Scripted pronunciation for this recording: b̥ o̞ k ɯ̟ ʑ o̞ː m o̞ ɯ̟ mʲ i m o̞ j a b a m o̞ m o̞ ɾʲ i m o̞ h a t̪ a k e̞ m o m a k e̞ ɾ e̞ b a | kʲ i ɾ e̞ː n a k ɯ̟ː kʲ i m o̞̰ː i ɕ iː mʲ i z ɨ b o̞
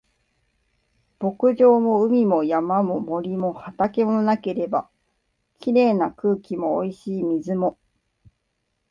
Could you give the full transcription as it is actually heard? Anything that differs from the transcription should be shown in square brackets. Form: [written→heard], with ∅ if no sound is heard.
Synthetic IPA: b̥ o̞ k ɯ̟ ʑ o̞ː m o̞ ɯ̟ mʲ i m o̞ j a [b→m] a m o̞ m o̞ ɾʲ i m o̞ h a t̪ a k e̞ m o [m→n] a k e̞ ɾ e̞ b a | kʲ i ɾ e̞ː n a k ɯ̟ː kʲ i m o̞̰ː i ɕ iː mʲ i z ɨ [b→m] o̞